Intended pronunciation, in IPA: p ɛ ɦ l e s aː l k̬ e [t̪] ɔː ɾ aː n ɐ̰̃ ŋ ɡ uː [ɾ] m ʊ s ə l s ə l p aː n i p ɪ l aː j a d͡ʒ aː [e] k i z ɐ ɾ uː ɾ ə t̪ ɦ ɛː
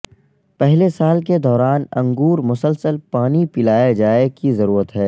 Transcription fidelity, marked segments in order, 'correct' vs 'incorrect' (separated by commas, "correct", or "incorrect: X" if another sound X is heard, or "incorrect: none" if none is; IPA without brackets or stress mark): incorrect: d̪, correct, correct